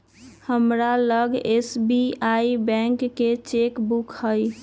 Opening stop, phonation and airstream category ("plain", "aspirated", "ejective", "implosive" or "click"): plain